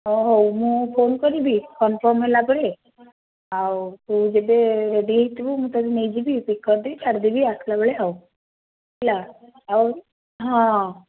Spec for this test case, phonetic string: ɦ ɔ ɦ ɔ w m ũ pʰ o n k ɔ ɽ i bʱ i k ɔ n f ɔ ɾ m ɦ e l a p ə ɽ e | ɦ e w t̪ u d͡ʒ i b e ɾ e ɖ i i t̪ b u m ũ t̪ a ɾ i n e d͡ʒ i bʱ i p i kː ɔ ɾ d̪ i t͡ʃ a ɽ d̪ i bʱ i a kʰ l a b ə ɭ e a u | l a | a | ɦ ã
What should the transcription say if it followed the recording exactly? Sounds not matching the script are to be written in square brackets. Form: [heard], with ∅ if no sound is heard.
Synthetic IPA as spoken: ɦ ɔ ɦ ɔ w m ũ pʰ o n k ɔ [ɾ] i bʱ i k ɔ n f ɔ ɾ m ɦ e l a p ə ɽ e | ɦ [a] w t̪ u d͡ʒ [e] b e ɾ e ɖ i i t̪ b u m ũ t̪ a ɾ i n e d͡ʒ i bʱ i p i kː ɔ ɾ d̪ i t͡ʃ a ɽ d̪ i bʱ i a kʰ l a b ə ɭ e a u | l a | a | ɦ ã